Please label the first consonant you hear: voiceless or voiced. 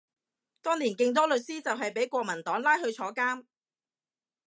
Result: voiceless